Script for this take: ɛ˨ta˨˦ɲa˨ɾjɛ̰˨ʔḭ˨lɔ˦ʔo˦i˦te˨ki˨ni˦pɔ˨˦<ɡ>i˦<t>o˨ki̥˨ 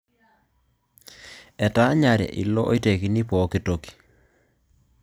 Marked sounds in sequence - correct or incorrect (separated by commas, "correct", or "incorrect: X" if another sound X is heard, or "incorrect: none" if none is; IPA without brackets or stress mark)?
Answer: incorrect: k, correct